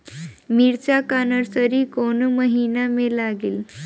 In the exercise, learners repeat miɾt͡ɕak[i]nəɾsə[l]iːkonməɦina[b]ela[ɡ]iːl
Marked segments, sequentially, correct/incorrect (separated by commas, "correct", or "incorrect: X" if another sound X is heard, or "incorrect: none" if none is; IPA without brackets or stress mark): incorrect: a, incorrect: ɾ, incorrect: m, correct